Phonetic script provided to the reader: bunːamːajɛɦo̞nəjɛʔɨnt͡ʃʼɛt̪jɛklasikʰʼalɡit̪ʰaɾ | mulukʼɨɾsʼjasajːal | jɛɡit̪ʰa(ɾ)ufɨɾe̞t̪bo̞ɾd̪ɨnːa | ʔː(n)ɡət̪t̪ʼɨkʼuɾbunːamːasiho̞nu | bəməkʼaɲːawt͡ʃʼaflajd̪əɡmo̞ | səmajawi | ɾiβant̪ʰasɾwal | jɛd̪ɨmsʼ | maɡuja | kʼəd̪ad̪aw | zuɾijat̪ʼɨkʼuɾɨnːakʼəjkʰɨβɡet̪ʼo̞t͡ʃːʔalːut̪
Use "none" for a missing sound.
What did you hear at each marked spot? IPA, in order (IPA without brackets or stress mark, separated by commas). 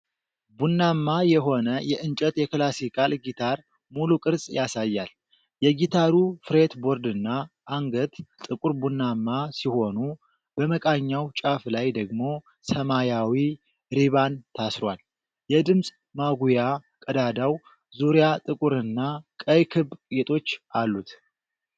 ɾ, ŋ